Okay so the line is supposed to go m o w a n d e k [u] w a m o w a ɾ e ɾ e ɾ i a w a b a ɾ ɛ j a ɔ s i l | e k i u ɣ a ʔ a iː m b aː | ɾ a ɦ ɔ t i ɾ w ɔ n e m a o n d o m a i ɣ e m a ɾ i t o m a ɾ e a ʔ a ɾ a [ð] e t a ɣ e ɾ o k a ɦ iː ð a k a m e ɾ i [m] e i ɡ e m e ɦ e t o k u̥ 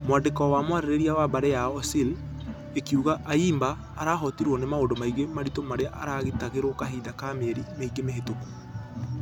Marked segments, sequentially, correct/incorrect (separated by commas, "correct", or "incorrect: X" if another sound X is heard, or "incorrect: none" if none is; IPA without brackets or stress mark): incorrect: ɔ, incorrect: ɣ, correct